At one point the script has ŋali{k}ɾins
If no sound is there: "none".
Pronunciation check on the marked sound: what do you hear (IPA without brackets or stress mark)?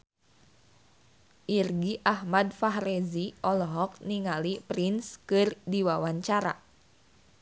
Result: p